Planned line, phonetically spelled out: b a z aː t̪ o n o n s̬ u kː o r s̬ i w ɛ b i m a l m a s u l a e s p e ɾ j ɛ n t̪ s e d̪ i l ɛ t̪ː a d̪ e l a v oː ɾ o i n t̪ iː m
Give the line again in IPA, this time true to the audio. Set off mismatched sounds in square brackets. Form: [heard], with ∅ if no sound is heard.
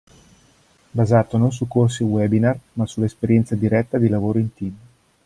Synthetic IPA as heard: b a z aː t̪ o n o n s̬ u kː o r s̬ i w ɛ b i [n] a [r] m a s u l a e s p e ɾ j ɛ n t̪ s [a] d̪ i [ɾ] ɛ t̪ː a d̪ [i] l a v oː ɾ o i n t̪ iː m